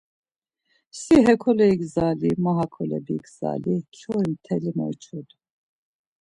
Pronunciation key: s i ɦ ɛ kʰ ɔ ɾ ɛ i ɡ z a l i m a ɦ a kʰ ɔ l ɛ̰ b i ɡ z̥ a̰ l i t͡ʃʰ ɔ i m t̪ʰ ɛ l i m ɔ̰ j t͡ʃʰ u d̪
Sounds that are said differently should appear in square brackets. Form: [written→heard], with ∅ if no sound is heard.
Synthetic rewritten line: s i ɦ ɛ kʰ ɔ [ɾ→l] ɛ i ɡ z a l i m a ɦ a kʰ ɔ l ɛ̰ b i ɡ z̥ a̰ l i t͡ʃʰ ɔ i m t̪ʰ ɛ l i m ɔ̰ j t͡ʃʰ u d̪